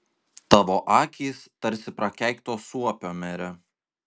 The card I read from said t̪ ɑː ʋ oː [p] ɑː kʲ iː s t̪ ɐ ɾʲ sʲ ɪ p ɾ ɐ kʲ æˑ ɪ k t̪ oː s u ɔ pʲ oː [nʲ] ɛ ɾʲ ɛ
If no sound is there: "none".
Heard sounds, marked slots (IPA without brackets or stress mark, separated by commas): ʔ, mʲ